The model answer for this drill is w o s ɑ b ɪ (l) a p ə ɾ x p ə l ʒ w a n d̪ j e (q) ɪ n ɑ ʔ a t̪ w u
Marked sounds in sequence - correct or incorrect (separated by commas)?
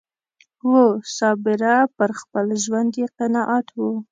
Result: incorrect, correct